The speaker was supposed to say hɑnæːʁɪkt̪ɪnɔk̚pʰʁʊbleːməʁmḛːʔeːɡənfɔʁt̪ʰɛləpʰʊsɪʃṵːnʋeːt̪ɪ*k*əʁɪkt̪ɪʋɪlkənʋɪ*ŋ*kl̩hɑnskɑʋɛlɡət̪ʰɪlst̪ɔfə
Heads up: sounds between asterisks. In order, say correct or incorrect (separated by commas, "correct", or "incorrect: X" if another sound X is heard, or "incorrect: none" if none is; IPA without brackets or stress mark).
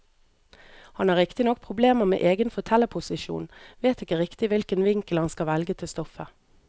correct, correct